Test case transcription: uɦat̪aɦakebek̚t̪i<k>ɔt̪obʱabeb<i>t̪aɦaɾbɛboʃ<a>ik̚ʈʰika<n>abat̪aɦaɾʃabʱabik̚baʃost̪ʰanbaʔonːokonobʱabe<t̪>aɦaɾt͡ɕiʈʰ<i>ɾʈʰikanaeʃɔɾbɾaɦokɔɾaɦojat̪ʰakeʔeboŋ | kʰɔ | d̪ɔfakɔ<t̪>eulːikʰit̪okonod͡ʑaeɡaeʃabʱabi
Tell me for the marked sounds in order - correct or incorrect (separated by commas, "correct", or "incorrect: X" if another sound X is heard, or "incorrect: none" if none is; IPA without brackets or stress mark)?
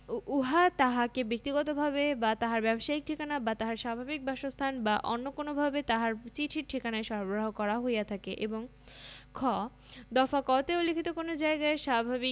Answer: incorrect: ɡ, incorrect: a, correct, correct, correct, correct, correct